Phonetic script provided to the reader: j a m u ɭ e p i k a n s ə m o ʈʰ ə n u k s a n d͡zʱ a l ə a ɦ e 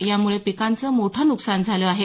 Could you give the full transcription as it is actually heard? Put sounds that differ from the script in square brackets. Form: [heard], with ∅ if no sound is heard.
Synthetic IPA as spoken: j a m u ɭ e p i k a n [t͡s] ə m o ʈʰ ə n u k s a n d͡zʱ a l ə a ɦ e